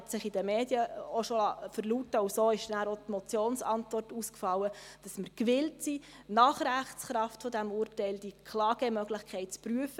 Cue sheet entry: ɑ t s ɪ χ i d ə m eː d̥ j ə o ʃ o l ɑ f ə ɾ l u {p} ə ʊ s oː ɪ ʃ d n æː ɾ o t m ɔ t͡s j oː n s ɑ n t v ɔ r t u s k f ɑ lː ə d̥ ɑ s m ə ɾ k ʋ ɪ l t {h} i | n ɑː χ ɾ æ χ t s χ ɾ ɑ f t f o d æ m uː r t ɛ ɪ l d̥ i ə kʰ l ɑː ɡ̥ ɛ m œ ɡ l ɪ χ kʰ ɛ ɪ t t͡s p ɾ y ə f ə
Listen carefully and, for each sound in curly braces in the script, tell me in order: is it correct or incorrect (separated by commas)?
incorrect, incorrect